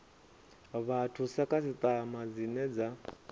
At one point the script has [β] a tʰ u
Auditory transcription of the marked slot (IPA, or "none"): β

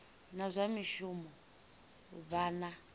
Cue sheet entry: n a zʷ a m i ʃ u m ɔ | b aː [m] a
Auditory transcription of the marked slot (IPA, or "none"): n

